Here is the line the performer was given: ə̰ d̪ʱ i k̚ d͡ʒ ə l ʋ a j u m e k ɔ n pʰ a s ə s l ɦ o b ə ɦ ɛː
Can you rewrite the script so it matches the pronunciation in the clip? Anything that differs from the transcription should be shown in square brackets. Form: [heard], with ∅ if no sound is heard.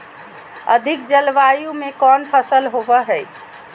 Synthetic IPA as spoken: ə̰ d̪ʱ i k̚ d͡ʒ ə l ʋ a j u m e k ɔ n pʰ [ə] s ə [∅] l ɦ o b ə ɦ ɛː